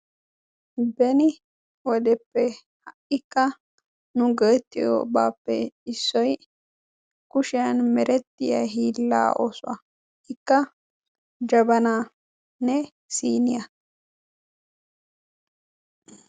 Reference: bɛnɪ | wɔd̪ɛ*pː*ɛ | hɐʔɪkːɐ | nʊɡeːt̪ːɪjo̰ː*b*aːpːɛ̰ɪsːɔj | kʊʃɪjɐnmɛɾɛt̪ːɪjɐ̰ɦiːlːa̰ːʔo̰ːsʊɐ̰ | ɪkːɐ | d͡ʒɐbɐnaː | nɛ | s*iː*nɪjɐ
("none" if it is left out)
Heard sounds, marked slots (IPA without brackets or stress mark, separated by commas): pː, b, iː